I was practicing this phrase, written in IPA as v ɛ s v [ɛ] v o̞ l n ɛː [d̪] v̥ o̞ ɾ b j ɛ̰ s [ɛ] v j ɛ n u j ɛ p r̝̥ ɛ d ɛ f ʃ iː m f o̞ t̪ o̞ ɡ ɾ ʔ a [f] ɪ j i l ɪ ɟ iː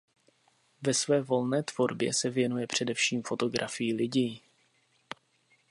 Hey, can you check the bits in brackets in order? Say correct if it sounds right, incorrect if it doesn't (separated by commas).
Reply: incorrect, incorrect, correct, correct